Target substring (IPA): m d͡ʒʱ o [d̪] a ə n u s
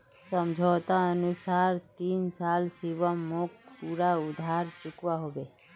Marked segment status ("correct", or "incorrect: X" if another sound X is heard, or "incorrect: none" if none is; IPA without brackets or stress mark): incorrect: t̪